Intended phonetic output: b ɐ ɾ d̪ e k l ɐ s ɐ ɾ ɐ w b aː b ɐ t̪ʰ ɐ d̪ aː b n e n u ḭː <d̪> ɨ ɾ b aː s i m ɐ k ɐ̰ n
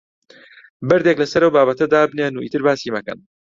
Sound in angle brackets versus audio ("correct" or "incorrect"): incorrect